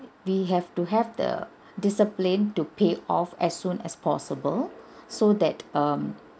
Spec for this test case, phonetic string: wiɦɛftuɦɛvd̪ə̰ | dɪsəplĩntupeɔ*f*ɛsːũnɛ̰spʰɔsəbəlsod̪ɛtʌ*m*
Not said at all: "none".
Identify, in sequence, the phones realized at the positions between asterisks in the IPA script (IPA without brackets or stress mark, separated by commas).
f, m